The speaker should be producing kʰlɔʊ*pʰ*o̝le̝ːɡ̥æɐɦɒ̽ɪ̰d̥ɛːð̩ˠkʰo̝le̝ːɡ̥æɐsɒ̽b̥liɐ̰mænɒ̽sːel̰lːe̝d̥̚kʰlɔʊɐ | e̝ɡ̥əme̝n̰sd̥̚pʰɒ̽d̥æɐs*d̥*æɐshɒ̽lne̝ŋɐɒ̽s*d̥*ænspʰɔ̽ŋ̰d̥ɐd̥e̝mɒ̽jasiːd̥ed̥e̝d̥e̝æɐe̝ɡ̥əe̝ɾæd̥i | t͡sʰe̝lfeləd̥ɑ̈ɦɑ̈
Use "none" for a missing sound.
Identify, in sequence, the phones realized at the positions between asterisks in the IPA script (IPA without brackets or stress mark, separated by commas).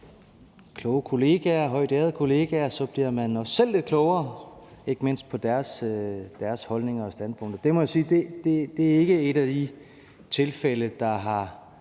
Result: kʰ, d̥, d̥